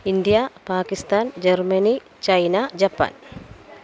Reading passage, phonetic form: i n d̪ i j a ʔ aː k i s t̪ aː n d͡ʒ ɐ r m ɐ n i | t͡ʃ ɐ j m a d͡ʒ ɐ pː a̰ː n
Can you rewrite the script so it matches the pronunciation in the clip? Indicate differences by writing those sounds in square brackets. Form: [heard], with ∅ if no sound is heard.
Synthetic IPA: i n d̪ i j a [p] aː k i s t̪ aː n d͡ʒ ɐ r m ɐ n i | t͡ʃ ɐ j [n] a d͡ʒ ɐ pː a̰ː n